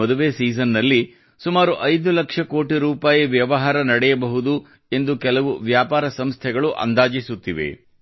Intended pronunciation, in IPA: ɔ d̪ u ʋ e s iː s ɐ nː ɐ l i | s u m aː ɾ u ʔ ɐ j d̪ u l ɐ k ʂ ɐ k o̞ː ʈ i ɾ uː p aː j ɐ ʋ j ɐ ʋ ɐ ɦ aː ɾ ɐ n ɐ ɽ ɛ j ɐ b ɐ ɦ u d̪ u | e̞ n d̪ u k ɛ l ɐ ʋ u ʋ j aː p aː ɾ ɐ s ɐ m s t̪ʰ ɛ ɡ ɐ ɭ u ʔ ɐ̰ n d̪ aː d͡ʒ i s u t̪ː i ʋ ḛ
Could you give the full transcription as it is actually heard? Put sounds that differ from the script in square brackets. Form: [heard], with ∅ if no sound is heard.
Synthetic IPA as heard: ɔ d̪ u ʋ e s iː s ɐ nː ɐ [lː] i | s u m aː ɾ u ʔ ɐ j d̪ u l ɐ k ʂ ɐ k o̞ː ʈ i ɾ uː p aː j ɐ ʋ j ɐ ʋ ɐ ɦ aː ɾ ɐ n ɐ ɽ ɛ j ɐ b ɐ ɦ u d̪ u | e̞ n d̪ u k ɛ l ɐ ʋ u ʋ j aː p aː ɾ ɐ s ɐ m s t̪ʰ ɛ ɡ ɐ ɭ u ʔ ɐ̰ n d̪ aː d͡ʒ i s u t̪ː i ʋ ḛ